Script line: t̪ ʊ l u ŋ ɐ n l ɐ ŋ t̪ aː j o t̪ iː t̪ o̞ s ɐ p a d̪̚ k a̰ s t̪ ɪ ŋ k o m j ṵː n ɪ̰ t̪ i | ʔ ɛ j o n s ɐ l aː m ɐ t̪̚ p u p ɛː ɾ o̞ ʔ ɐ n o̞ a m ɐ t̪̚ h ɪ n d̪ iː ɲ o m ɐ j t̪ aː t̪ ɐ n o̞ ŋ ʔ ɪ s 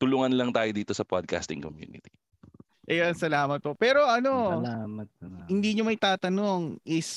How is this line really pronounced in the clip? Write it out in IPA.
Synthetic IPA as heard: t̪ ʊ l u ŋ ɐ n l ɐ ŋ t̪ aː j o d̪ iː t̪ o̞ s ɐ p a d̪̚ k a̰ s t̪ ɪ ŋ k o m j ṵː n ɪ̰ t̪ i | ʔ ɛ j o n s ɐ l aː m ɐ t̪̚ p o p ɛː ɾ o̞ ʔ ɐ n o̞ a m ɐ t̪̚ h ɪ n d̪ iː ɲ o m ɐ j t̪ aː t̪ ɐ n o̞ ŋ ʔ ɪ s